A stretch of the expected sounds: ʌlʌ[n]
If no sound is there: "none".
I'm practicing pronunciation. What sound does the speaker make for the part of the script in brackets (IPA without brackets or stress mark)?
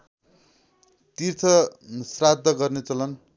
n